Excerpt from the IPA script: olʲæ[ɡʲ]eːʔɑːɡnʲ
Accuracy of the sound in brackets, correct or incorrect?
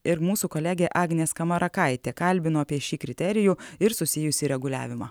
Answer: correct